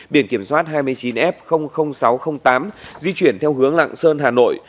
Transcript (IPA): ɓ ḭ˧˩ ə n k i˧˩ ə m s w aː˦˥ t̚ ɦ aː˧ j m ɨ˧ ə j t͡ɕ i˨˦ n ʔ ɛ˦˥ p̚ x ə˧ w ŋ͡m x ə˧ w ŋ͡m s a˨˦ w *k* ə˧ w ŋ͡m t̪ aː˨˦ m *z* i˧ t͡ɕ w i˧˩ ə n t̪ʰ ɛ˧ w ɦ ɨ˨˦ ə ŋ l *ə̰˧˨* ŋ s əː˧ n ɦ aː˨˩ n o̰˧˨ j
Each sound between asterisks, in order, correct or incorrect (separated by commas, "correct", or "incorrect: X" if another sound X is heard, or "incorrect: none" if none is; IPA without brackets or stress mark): incorrect: x, correct, incorrect: a̰˧˨